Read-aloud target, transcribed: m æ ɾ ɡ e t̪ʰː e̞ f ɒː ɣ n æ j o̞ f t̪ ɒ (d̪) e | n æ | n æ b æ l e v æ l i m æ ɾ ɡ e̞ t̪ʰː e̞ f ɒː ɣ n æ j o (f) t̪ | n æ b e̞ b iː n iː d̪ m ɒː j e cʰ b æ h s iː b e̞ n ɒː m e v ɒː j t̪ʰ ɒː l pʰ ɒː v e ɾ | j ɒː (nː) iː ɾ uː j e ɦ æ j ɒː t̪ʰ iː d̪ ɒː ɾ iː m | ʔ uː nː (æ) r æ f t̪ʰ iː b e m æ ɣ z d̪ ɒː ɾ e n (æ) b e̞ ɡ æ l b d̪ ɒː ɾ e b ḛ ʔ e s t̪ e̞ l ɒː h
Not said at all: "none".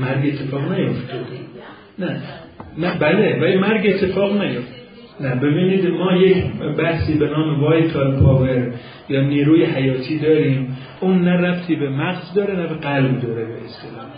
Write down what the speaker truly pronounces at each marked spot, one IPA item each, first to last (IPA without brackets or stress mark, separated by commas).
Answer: d̪, f, n, æ, æ